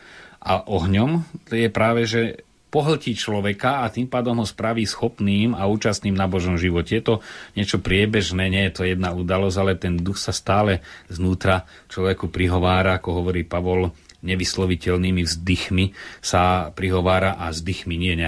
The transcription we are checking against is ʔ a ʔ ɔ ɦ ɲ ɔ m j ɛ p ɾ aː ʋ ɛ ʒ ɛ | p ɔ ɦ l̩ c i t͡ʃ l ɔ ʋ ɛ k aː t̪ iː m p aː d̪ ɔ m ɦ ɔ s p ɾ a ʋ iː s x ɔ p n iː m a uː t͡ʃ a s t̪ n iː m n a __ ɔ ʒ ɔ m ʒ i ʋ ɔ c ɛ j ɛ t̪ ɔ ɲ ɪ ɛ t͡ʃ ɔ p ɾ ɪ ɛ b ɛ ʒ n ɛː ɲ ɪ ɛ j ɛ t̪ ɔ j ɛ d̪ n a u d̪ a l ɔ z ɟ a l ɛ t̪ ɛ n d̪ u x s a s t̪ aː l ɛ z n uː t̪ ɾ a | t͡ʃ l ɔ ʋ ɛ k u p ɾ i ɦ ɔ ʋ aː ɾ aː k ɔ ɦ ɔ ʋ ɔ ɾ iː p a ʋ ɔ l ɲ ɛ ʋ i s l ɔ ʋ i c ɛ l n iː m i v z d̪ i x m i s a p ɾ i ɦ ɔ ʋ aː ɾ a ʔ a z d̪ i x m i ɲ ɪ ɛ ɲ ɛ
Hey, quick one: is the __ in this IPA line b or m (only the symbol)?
b